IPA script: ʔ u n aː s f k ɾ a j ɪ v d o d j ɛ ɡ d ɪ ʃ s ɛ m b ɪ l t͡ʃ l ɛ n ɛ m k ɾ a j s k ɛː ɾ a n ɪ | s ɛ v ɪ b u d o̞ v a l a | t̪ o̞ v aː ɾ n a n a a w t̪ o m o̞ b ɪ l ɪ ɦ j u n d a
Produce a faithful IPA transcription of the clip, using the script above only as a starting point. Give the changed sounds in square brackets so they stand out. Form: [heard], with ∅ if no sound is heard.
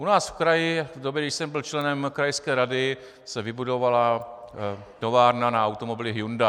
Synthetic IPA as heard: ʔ u n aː s f k ɾ a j ɪ v d o [b] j ɛ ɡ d ɪ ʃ s ɛ m b ɪ l t͡ʃ l ɛ n ɛ m k ɾ a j s k ɛː ɾ a [d] ɪ | s ɛ v ɪ b u d o̞ v a l a | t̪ o̞ v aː ɾ n a n a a w t̪ o m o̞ b ɪ l ɪ ɦ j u n d a